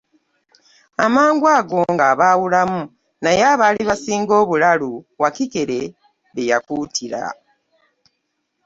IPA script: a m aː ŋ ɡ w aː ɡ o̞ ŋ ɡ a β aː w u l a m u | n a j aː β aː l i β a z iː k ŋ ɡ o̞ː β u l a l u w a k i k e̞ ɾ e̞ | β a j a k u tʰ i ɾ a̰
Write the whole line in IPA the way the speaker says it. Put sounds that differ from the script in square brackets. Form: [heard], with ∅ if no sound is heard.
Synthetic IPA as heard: a m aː ŋ ɡ w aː ɡ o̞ ŋ ɡ a β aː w u l a m u | n a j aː β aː l i β a [s] iː [∅] ŋ ɡ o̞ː β u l a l u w a k i k e̞ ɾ e̞ | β [e] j a k u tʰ i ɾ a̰